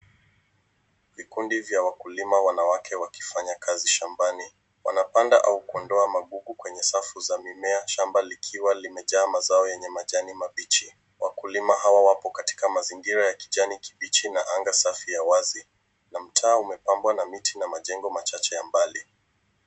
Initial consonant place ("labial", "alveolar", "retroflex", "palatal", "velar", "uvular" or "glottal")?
labial